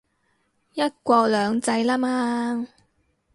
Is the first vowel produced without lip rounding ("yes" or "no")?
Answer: yes